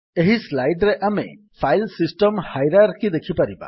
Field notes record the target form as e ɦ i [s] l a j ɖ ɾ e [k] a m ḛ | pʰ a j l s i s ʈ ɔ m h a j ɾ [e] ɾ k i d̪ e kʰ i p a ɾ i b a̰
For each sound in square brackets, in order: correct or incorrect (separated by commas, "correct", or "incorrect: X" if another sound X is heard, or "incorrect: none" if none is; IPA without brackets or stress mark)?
correct, incorrect: ʔ, incorrect: a